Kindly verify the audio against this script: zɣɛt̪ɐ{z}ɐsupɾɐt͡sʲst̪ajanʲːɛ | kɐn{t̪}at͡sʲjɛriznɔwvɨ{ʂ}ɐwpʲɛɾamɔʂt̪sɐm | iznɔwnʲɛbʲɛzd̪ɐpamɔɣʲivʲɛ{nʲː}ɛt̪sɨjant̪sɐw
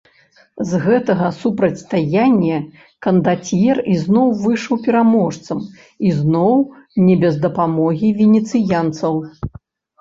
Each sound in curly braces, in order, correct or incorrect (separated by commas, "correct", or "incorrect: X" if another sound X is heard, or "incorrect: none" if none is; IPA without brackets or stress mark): incorrect: ɣ, incorrect: d̪, correct, incorrect: nʲ